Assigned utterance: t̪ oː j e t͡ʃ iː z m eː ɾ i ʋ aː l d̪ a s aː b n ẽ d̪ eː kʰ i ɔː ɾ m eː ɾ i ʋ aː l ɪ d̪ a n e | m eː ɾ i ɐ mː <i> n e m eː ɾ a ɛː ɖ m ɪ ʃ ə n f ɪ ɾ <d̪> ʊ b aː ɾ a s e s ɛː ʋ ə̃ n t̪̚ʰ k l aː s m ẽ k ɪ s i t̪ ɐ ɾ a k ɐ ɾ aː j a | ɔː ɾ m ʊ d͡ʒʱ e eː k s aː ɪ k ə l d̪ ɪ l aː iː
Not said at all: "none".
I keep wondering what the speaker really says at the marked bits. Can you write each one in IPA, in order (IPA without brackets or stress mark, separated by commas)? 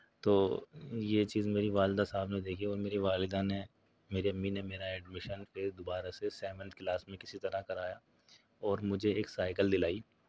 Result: i, d̪